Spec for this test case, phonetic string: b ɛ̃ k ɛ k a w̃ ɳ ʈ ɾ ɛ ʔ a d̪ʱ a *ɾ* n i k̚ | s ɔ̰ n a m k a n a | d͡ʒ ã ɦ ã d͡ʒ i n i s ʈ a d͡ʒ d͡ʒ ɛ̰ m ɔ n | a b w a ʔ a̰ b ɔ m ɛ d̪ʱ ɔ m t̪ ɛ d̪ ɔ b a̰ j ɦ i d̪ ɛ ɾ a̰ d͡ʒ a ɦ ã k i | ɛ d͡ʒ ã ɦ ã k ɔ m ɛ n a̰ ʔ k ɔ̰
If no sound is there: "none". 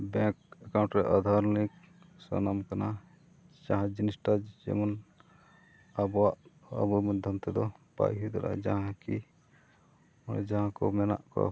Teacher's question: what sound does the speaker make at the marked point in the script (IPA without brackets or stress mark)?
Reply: ɾ